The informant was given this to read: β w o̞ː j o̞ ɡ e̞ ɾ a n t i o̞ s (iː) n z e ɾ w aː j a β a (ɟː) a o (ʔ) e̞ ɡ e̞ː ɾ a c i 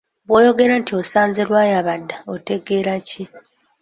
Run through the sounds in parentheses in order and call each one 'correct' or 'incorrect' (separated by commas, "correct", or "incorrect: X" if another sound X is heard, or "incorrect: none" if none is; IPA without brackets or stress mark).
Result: incorrect: aː, incorrect: dː, incorrect: t